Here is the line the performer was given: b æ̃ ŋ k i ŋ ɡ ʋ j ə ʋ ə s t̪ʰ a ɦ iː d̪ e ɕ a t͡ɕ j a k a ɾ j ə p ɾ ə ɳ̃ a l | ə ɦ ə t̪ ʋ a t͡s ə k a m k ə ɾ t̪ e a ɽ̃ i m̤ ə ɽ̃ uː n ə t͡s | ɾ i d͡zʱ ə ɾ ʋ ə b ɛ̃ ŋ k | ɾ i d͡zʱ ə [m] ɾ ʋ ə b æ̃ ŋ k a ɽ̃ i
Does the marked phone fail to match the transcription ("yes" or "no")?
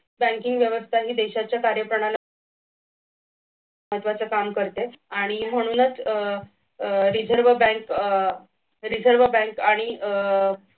yes